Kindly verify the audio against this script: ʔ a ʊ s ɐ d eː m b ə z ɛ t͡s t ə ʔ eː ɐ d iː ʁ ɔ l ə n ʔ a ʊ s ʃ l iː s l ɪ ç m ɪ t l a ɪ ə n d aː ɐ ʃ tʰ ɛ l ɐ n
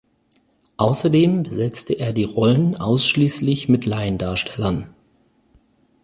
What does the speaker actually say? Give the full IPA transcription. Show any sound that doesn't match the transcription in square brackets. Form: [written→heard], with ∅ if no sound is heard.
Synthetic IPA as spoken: ʔ a ʊ s ɐ d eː m b ə z ɛ t͡s t ə ʔ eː ɐ d iː ʁ ɔ l ə n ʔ a ʊ s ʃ l iː s l ɪ ç m ɪ t l a ɪ ə n d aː ɐ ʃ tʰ ɛ l ɐ n

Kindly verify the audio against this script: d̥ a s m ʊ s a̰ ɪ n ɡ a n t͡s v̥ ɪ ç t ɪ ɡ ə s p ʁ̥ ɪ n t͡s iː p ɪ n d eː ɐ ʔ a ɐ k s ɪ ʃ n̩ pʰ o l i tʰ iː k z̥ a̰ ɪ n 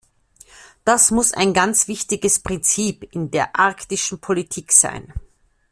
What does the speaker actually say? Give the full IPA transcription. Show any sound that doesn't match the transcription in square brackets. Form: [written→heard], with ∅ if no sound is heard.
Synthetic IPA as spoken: d̥ a s m ʊ s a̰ ɪ n ɡ a n t͡s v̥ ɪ ç t ɪ ɡ ə s p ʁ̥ ɪ n t͡s iː p ɪ n d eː ɐ ʔ a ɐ k [s→t] ɪ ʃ n̩ pʰ o l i tʰ iː k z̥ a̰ ɪ n

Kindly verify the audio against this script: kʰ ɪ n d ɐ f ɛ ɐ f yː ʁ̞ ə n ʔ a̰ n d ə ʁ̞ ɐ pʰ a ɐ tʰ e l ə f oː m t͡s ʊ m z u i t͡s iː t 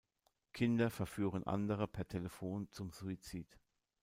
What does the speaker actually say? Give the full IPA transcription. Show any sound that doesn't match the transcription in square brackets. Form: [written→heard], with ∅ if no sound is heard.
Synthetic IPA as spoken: kʰ ɪ n d ɐ f ɛ ɐ f yː ʁ̞ ə n ʔ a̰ n d ə ʁ̞ [ɐ→ə] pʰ [a→ɛ] ɐ tʰ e l ə f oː [m→n] t͡s ʊ m z u i t͡s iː t

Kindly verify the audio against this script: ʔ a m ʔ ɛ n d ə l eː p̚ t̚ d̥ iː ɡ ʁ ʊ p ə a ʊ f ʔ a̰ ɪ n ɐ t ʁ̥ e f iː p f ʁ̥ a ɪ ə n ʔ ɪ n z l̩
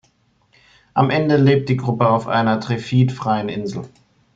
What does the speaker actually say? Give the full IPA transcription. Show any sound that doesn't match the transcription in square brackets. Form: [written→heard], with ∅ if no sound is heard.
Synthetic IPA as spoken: ʔ a m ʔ ɛ n d ə l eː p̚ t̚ d̥ iː ɡ ʁ ʊ p ə a ʊ f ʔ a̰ ɪ n ɐ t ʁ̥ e f iː [p→t] f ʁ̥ a ɪ ə n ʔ ɪ n z l̩

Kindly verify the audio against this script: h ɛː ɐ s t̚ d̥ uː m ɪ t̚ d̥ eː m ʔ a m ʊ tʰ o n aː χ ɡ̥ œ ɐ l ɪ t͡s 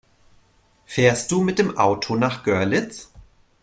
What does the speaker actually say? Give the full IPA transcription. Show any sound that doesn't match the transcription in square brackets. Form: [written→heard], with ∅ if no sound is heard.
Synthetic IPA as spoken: [h→f] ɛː ɐ s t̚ d̥ uː m ɪ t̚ d̥ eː m ʔ a [m→∅] ʊ tʰ o n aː χ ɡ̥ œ ɐ l ɪ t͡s

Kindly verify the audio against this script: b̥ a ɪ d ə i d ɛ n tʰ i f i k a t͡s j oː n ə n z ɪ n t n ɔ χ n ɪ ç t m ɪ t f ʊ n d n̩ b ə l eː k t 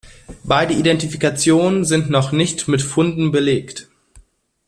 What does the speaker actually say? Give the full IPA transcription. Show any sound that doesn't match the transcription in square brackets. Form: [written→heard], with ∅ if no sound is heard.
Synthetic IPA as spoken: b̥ a ɪ d ə i d ɛ n [tʰ→t] i f i k a t͡s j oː n ə n z ɪ n t n ɔ χ n ɪ ç t m ɪ t f ʊ n d n̩ b ə l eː k t

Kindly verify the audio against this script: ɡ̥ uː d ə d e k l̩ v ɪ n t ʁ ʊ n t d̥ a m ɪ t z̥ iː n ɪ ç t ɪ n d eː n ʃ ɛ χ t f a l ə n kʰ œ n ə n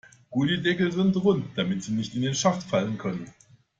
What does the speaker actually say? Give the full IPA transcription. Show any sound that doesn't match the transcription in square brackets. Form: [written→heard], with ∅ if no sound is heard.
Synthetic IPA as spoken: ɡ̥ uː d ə d [e→ɛ] k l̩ [v→z] ɪ n t ʁ ʊ n t d̥ a m ɪ t z̥ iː n ɪ ç t ɪ n d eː n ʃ [ɛ→a] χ t f a l ə n kʰ œ n ə n

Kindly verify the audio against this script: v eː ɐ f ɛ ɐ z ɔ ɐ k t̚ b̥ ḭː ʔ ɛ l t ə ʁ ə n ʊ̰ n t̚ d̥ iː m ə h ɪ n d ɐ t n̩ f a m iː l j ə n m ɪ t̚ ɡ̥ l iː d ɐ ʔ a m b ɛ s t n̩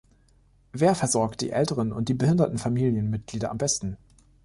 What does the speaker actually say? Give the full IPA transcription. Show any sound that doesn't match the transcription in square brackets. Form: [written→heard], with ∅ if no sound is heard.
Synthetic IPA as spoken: v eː ɐ f ɛ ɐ z ɔ ɐ k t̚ [b̥→d̥] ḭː ʔ ɛ l t ə ʁ ə n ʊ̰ n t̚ d̥ iː [m→b] ə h ɪ n d ɐ t n̩ f a m iː l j ə n m ɪ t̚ ɡ̥ l iː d ɐ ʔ a m b ɛ s t n̩

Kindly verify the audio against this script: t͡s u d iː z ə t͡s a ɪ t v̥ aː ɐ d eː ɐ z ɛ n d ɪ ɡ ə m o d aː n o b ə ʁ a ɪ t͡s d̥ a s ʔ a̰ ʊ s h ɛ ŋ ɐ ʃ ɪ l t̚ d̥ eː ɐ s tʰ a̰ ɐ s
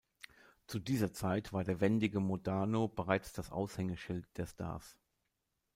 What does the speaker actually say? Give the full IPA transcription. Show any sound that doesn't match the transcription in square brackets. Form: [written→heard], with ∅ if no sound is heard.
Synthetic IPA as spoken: t͡s u d iː z [ə→ɐ] t͡s a ɪ t v̥ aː ɐ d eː ɐ [z→v] ɛ n d ɪ ɡ ə m o d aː n o b ə ʁ a ɪ t͡s d̥ a s ʔ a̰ ʊ s h ɛ ŋ [ɐ→ə] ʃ ɪ l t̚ d̥ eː ɐ s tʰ a̰ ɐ s

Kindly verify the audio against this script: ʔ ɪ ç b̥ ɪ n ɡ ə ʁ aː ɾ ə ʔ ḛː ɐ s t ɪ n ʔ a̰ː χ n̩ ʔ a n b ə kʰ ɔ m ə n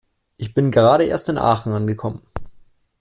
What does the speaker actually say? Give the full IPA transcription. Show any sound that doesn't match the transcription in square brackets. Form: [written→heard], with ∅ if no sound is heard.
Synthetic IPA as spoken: ʔ ɪ ç b̥ ɪ n ɡ ə ʁ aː ɾ ə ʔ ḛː ɐ s t ɪ n ʔ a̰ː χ n̩ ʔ a n [b→ɡ] ə kʰ ɔ m ə n

